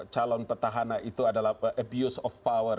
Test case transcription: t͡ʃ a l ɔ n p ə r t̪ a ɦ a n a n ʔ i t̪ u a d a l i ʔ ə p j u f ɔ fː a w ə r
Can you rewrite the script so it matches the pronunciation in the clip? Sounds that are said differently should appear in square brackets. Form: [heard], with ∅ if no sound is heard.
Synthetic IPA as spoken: t͡ʃ a l ɔ n p ə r t̪ a ɦ a n a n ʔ i t̪ u a d a l [a] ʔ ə [b] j u [s] ɔ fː a w ə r